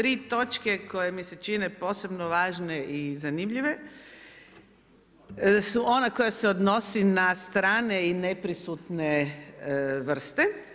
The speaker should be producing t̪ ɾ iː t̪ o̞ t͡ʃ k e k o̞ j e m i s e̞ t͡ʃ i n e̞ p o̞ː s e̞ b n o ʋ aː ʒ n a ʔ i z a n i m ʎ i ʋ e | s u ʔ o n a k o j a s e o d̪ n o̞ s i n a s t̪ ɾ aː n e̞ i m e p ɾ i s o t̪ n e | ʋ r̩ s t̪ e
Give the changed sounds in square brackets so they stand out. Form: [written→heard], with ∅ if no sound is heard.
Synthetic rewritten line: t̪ ɾ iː t̪ o̞ t͡ʃ k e k o̞ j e m i s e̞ t͡ʃ i n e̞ p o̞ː s e̞ b n o ʋ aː ʒ n [a→e] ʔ i z a n i m ʎ i ʋ e | s u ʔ o n a k o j a s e o d̪ n o̞ s i n a s t̪ ɾ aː n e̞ i [m→n] e p ɾ i s [o→u] t̪ n e | ʋ r̩ s t̪ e